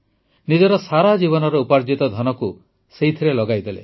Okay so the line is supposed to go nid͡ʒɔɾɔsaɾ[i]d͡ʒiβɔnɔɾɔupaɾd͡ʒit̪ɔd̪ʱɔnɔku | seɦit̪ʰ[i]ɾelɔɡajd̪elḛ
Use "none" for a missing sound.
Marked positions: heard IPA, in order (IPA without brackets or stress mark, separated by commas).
a, i